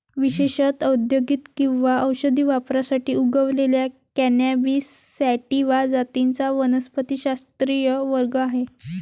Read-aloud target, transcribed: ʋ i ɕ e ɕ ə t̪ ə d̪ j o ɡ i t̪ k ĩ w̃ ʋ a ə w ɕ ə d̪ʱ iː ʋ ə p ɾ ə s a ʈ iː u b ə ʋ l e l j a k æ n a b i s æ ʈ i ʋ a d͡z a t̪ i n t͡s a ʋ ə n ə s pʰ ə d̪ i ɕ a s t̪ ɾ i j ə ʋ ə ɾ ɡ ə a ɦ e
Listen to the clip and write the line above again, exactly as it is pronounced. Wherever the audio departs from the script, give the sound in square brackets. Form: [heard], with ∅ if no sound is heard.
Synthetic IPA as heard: ʋ i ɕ e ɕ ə t̪ ə d̪ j o ɡ i t̪ k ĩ w̃ ʋ a ə w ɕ ə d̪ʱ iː ʋ [a] p ɾ [a] s a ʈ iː u [ɡ] ə ʋ l e l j a k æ n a b i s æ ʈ i ʋ a d͡z a t̪ i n t͡s a ʋ ə n ə s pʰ ə [t̪] i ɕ a s t̪ ɾ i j ə ʋ ə ɾ ɡ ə a ɦ e